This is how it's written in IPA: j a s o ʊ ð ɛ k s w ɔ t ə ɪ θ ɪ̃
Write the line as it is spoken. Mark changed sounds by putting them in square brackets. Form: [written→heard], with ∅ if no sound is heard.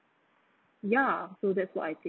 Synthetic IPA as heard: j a s o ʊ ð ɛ [k→t] s w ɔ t [ə→a] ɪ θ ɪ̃